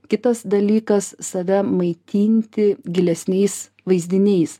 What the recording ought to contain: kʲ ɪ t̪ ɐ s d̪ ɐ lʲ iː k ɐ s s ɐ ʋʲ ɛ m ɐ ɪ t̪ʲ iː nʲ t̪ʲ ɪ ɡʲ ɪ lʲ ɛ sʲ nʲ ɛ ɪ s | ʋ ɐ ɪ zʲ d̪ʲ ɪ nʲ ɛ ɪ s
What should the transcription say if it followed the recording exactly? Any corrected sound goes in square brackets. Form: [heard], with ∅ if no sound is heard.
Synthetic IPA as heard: kʲ ɪ t̪ ɐ s d̪ ɐ lʲ iː k ɐ s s ɐ ʋʲ ɛ m ɐ ɪ t̪ʲ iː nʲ t̪ʲ ɪ ɡʲ ɪ lʲ ɛ sʲ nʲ ɛ ɪ s | ʋ ɐ ɪ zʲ d̪ʲ ɪ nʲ ɛ ɪ s